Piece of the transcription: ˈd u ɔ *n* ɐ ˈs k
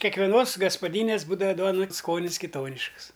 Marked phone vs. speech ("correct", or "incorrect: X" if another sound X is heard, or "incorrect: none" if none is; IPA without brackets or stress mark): correct